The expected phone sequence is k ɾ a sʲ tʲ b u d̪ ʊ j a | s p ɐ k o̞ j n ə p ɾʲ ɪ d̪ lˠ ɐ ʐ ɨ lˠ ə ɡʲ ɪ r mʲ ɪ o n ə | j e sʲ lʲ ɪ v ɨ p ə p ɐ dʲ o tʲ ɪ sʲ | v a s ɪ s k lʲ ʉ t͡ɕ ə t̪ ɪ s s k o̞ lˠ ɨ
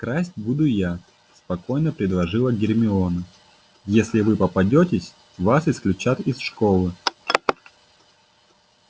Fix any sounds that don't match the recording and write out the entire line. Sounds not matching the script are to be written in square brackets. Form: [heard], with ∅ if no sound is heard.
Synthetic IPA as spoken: k ɾ a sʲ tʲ b u d̪ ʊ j a | s p ɐ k o̞ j n ə p ɾʲ ɪ d̪ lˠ ɐ ʐ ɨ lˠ ə ɡʲ ɪ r mʲ ɪ o n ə | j e sʲ lʲ ɪ v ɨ p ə p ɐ dʲ o tʲ ɪ sʲ | v a s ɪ s k lʲ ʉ t͡ɕ [a] t̪ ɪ s [ʂ] k o̞ lˠ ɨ